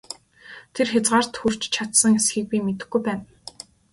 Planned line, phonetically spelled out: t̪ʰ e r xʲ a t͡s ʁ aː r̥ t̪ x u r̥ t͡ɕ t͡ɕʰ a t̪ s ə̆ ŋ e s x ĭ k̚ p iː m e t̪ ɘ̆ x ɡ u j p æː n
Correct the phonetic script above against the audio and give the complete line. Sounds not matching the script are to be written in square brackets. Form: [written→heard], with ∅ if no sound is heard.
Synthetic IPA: t̪ʰ e r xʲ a t͡s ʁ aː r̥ t̪ x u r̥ t͡ɕ t͡ɕʰ a t̪ s ə̆ ŋ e s x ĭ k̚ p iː m e t̪ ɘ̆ x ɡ u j p æː n